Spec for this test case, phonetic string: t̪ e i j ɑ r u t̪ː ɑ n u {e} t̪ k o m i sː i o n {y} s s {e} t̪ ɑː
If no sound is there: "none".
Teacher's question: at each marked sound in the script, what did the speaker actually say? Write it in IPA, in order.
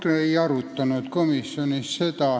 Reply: e, i, e

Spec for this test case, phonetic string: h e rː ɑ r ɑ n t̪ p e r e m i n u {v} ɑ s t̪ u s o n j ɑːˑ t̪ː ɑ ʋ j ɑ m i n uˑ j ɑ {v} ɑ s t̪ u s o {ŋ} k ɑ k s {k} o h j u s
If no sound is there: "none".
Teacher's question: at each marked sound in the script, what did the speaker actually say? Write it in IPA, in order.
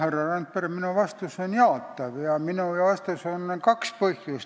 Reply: ʋ, ʋ, n, p

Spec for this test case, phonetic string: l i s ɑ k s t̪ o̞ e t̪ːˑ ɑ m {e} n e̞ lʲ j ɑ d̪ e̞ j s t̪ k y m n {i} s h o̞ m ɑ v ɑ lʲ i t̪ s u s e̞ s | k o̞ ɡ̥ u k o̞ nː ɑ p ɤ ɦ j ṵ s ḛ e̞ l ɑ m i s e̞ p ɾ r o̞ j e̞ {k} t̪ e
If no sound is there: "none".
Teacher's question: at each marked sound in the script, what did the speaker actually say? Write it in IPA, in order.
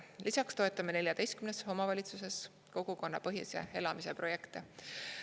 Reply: e, e, k

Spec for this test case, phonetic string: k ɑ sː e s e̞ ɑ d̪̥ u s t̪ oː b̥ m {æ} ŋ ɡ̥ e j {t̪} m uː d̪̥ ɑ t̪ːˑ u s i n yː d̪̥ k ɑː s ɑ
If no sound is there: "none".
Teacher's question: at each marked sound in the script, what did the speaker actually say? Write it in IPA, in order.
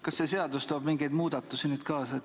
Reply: i, d̪

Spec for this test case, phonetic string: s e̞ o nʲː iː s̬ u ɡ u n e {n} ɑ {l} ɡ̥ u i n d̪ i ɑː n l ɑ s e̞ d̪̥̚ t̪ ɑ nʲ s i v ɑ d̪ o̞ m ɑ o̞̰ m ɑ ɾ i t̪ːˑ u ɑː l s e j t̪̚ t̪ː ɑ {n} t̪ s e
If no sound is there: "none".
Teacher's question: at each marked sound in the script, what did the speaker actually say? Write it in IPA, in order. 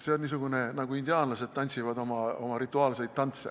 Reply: n, none, n

